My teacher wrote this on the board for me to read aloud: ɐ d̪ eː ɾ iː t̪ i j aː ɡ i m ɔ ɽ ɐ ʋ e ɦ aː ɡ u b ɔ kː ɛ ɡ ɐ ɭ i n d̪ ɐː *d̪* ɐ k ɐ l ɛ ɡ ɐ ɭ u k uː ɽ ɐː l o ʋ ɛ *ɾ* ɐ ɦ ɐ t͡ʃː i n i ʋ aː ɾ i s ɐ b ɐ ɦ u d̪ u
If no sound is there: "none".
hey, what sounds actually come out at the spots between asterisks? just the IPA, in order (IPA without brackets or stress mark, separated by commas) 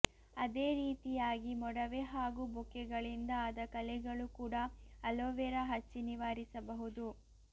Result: d̪, ɾ